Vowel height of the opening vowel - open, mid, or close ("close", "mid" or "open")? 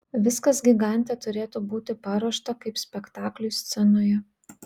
close